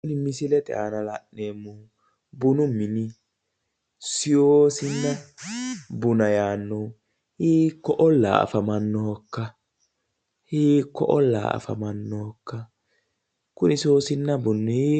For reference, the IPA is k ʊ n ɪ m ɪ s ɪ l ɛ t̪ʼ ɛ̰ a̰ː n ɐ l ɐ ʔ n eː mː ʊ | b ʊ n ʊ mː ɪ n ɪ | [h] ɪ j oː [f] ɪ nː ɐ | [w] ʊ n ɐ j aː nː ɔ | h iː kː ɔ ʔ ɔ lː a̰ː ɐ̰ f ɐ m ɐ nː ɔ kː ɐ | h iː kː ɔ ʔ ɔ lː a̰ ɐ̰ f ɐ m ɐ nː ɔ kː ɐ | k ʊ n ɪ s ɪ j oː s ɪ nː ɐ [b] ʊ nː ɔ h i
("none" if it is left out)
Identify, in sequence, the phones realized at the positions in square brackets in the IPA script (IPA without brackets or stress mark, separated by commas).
s, s, b, b